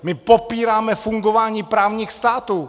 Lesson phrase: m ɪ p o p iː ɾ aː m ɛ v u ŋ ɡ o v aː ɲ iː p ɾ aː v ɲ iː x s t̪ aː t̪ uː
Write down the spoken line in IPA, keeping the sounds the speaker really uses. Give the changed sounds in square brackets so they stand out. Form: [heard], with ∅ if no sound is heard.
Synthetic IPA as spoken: m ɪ p o p iː ɾ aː m ɛ [f] u ŋ ɡ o v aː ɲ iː p ɾ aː v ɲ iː x s t̪ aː t̪ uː

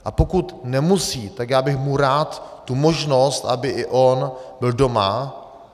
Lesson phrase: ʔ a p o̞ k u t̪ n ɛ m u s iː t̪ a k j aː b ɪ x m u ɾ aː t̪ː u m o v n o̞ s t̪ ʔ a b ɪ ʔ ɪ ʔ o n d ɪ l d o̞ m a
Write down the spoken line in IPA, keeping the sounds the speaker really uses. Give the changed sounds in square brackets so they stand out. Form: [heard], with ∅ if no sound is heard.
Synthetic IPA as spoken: ʔ a p o̞ k u t̪ n ɛ m u s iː t̪ a k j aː b ɪ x m u ɾ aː t̪ː u m o [ʒ] n o̞ s t̪ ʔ a b ɪ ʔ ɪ ʔ o n [b] ɪ l d o̞ m a

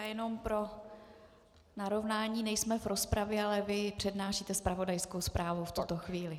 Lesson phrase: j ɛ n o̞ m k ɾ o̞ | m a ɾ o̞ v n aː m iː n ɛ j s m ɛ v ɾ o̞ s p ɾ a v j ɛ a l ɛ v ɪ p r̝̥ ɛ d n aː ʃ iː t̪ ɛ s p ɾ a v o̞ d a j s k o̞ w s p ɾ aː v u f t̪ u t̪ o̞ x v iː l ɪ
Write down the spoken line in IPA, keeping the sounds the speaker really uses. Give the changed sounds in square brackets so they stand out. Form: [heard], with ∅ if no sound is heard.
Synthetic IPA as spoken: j ɛ n o̞ m [p] ɾ o̞ | [n] a ɾ o̞ v n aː [ɲ] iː n ɛ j s m ɛ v ɾ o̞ s p ɾ a v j ɛ a l ɛ v ɪ p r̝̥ ɛ d n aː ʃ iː t̪ ɛ s p ɾ a v o̞ d a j s k o̞ w s p ɾ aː v u f t̪ u t̪ o̞ x v iː l ɪ

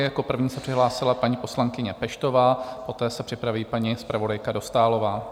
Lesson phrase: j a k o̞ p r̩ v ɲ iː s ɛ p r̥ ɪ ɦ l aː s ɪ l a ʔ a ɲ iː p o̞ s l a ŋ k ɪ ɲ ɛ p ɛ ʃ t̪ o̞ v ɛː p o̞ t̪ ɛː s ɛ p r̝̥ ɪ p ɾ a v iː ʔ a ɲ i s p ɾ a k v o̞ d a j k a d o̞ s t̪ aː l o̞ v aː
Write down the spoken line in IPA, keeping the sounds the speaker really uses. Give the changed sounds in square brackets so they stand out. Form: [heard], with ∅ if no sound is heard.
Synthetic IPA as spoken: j a k o̞ p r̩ v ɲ iː s ɛ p r̥ ɪ ɦ l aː s ɪ l a [p] a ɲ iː p o̞ s l a ŋ k ɪ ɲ ɛ p ɛ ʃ t̪ o̞ v [aː] p o̞ t̪ ɛː s ɛ p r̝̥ ɪ p ɾ a v iː [p] a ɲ i s p ɾ a [∅] v o̞ d a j k a d o̞ s t̪ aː l o̞ v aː

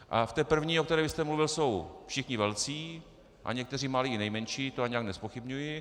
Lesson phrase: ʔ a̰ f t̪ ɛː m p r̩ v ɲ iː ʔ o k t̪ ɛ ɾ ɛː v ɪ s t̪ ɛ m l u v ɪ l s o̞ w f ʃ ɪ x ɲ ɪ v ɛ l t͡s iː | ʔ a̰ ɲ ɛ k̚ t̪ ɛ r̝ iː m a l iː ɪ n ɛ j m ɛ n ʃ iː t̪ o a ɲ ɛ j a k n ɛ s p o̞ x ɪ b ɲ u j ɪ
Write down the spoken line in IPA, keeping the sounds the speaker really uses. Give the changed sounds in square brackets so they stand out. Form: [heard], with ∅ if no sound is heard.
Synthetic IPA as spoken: ʔ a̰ f t̪ ɛː [∅] p r̩ v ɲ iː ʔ o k t̪ ɛ ɾ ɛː v ɪ s t̪ ɛ m l u v ɪ l s o̞ w f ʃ ɪ x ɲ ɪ v ɛ l t͡s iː | ʔ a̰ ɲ ɛ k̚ t̪ ɛ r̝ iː m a l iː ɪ n ɛ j m ɛ n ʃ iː t̪ o a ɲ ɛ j a k n ɛ s p o̞ x ɪ b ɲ u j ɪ

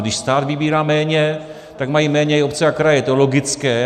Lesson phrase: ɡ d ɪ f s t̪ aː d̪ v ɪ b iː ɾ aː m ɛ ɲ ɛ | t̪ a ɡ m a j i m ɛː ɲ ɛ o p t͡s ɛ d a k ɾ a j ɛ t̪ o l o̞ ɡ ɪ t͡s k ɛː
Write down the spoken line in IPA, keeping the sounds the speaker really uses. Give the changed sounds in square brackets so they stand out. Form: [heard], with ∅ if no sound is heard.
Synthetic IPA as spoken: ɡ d ɪ [ʃ] s t̪ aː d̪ v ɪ b iː ɾ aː m [ɛː] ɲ ɛ | t̪ a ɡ m a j i m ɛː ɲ ɛ o p t͡s ɛ [∅] a k ɾ a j ɛ t̪ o l o̞ ɡ ɪ t͡s k ɛː

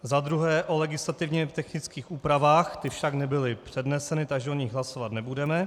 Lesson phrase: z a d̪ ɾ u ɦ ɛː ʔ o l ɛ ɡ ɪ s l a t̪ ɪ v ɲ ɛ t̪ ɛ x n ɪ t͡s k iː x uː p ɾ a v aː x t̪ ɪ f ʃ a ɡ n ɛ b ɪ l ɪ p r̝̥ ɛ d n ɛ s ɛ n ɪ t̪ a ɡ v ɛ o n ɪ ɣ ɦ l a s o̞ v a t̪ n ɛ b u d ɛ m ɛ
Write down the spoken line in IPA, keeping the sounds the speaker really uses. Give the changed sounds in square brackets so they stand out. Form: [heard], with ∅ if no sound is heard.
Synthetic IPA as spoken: z a d̪ ɾ u ɦ ɛː ʔ o l ɛ ɡ ɪ s l a t̪ ɪ v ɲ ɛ t̪ ɛ x n ɪ t͡s k iː x uː p ɾ a v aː x t̪ ɪ f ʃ a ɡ n ɛ b ɪ l ɪ p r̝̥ ɛ d n ɛ s ɛ n ɪ t̪ a ɡ [ʒ] ɛ o [ɲ] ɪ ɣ ɦ l a s o̞ v a t̪ n ɛ b u d ɛ m ɛ

